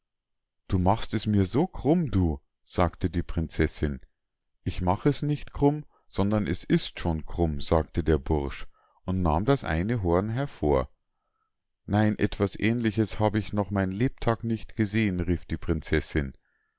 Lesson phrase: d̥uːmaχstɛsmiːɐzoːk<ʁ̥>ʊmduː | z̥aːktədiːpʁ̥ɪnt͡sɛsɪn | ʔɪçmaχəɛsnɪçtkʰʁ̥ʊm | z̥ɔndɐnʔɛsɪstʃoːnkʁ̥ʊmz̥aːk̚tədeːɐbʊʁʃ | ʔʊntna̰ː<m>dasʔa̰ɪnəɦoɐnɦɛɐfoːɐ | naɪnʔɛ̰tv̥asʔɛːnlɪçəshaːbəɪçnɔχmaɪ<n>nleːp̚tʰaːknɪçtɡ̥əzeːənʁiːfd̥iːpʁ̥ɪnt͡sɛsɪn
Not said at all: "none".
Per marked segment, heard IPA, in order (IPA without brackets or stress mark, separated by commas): ʁ̥, m, n